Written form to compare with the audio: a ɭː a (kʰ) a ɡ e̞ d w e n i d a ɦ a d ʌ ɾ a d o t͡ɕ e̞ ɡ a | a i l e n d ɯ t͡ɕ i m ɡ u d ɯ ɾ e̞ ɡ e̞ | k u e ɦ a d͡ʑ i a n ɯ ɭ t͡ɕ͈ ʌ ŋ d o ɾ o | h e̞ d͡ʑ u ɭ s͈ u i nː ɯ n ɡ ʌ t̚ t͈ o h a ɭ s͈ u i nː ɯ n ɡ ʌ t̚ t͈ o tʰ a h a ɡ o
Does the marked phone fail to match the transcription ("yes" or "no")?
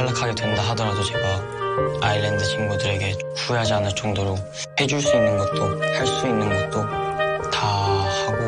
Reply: no